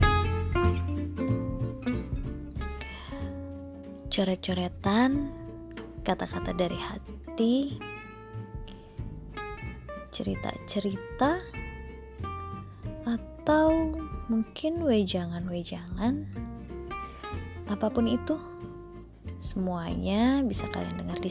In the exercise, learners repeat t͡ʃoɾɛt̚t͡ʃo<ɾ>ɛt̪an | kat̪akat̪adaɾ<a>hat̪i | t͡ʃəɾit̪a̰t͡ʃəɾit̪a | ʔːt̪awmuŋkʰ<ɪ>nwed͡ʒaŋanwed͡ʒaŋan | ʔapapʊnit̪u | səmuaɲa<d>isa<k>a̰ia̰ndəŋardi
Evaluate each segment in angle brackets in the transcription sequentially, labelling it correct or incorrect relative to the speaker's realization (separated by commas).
correct, incorrect, correct, incorrect, correct